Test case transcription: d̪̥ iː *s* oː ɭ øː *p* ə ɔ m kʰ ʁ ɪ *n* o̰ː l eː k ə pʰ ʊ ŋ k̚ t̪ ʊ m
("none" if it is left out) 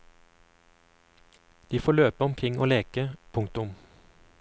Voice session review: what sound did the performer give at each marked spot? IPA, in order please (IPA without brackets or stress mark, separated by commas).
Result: f, p, ŋ